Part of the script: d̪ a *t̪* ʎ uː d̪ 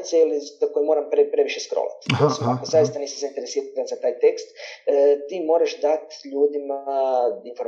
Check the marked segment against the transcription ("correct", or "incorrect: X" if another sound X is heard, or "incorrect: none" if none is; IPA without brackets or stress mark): correct